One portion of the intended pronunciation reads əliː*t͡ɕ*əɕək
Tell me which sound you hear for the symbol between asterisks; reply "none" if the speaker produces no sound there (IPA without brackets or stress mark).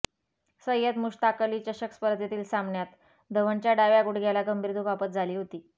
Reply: t͡ɕ